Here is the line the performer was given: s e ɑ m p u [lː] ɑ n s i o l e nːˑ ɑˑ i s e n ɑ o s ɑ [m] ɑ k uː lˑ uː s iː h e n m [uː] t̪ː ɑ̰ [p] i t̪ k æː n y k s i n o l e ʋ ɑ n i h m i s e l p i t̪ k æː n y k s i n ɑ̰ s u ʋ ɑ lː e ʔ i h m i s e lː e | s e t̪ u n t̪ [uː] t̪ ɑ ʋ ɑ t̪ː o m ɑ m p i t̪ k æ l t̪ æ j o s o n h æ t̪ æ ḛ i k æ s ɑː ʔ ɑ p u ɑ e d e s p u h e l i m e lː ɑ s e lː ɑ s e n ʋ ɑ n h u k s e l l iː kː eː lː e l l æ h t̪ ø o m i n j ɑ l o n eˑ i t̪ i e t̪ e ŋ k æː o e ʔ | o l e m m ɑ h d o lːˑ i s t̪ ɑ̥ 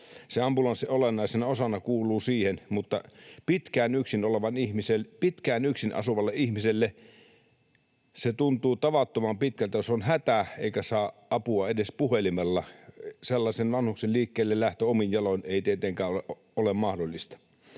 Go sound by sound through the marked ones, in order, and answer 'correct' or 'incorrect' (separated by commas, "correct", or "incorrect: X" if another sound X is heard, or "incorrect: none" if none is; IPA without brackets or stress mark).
incorrect: l, incorrect: n, incorrect: u, correct, correct